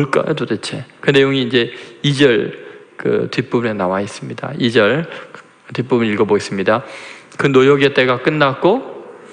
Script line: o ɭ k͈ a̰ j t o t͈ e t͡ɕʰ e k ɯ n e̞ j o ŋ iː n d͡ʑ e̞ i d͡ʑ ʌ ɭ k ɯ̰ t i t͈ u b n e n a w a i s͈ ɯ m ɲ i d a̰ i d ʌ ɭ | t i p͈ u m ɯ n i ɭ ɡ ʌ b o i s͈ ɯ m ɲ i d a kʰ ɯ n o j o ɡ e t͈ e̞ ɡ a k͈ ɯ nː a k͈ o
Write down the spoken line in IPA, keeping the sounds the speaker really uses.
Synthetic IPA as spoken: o ɭ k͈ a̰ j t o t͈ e t͡ɕʰ e k ɯ n e̞ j o ŋ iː n d͡ʑ e̞ i d͡ʑ ʌ ɭ k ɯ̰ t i p͈ u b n e n a w a i s͈ ɯ m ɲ i d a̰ i d͡ʑ ʌ ɭ | t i p͈ u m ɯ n i ɭ ɡ ʌ b o i s͈ ɯ m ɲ i d a k ɯ n o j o ɡ e t͈ e̞ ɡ a k͈ ɯ nː a k͈ o